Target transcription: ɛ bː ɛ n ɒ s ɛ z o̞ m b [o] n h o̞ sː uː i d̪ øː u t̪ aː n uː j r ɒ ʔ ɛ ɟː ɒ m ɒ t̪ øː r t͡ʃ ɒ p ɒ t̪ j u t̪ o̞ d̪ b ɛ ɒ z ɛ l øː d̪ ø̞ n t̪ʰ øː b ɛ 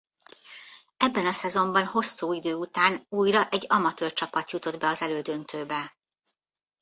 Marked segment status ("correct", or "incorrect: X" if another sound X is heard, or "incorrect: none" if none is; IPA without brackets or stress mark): incorrect: ɒ